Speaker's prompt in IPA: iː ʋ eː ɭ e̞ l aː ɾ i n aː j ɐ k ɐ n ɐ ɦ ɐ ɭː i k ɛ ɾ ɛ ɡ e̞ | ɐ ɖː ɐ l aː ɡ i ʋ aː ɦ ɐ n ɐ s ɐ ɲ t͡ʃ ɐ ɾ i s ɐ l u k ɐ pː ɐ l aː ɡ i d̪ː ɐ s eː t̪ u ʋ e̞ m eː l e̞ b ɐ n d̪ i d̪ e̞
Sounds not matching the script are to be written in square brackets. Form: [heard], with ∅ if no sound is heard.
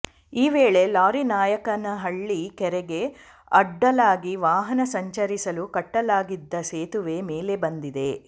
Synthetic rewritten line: iː ʋ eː ɭ e̞ l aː ɾ i n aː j ɐ k ɐ n ɐ ɦ ɐ ɭː i k ɛ ɾ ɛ ɡ e̞ | ɐ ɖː ɐ l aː ɡ i ʋ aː ɦ ɐ n ɐ s ɐ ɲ t͡ʃ ɐ ɾ i s ɐ l u k ɐ [ʈː] ɐ l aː ɡ i d̪ː ɐ s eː t̪ u ʋ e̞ m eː l e̞ b ɐ n d̪ i d̪ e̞